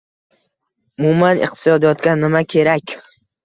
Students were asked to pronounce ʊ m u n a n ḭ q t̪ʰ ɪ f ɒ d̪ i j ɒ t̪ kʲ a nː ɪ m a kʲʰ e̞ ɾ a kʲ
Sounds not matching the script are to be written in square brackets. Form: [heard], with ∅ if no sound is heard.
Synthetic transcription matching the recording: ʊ m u [m] a n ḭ q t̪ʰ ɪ [s] ɒ d̪ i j ɒ t̪ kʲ a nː ɪ m a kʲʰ e̞ ɾ a kʲ